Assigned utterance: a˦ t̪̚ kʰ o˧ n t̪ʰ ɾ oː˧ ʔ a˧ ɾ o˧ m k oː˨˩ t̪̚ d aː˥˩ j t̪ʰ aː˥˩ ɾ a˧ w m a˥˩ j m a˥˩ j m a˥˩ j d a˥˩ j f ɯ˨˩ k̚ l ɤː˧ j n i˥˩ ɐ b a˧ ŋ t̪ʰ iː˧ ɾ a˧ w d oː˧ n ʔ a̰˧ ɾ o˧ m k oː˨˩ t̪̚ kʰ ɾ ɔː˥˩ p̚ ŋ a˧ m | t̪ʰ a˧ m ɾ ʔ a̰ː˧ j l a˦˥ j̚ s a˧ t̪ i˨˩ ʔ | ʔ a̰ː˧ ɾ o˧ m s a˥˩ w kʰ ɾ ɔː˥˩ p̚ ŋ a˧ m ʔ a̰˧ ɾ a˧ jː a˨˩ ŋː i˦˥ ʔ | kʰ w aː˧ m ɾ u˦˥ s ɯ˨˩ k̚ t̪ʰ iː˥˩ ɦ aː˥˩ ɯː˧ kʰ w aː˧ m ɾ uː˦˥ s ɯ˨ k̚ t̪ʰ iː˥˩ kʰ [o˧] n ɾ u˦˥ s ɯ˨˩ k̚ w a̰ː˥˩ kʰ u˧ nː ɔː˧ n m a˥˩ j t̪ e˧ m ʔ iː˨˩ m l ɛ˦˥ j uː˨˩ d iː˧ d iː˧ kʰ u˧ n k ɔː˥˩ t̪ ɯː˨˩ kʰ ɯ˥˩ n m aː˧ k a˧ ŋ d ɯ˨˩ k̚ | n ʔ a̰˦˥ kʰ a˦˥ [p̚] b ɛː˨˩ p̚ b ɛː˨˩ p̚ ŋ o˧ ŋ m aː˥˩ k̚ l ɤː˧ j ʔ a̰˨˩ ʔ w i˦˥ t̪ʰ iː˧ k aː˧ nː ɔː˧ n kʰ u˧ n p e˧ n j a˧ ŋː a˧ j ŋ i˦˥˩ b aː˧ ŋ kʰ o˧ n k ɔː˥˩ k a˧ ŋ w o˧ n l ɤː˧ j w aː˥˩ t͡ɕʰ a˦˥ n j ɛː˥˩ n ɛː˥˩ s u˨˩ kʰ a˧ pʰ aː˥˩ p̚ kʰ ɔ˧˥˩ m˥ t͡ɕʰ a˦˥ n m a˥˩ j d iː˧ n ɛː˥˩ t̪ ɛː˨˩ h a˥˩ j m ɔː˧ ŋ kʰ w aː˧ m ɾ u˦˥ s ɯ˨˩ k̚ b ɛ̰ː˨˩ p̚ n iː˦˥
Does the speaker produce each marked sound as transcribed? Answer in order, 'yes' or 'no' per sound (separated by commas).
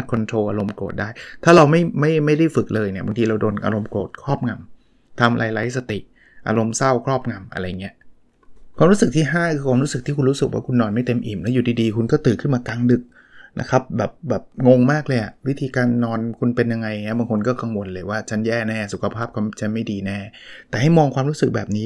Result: no, yes